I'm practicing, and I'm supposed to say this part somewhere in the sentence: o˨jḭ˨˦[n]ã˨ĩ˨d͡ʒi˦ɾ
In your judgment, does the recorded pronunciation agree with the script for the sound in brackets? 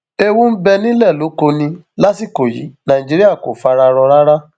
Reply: yes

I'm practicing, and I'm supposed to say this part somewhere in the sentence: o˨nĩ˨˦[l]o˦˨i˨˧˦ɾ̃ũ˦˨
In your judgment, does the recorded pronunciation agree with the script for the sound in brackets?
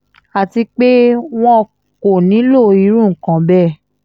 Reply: yes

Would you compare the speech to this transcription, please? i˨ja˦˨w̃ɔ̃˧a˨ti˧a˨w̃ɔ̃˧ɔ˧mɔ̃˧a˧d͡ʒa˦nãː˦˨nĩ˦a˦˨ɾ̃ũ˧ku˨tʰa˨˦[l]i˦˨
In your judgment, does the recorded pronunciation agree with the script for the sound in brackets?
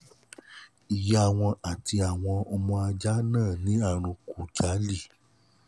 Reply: yes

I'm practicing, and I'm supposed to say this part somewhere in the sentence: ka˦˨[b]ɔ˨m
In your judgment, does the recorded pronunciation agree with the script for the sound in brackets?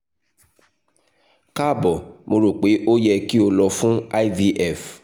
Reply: yes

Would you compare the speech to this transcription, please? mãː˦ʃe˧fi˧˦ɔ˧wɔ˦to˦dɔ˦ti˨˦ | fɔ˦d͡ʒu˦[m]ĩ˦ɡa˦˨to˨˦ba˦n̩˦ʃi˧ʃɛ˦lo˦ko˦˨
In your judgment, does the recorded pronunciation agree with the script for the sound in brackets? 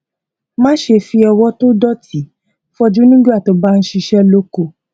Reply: no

